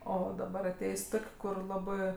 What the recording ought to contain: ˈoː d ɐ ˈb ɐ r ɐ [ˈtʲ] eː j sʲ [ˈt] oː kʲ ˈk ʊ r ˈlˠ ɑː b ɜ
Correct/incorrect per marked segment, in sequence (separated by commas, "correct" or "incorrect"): correct, correct